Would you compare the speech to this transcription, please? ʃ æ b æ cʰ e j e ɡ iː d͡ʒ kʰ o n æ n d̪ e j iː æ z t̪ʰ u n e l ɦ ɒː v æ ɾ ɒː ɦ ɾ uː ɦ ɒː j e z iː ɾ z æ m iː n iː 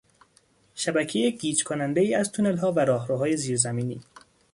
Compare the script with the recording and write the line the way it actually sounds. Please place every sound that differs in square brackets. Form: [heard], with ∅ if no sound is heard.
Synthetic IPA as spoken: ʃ æ b æ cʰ e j e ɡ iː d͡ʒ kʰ o n æ n d̪ e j iː æ z t̪ʰ u n e l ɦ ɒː v æ ɾ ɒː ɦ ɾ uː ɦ ɒː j e z iː ɾ z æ m iː n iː

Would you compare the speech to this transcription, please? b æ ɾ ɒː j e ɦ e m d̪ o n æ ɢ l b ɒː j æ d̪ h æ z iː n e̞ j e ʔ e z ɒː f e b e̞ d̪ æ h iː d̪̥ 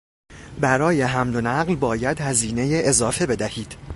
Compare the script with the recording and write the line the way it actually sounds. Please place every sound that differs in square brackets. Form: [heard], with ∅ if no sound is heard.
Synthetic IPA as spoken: b æ ɾ ɒː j e ɦ [æ] m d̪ o n æ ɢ l b ɒː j æ d̪ h æ z iː n e̞ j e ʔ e z ɒː f e b e̞ d̪ æ h iː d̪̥

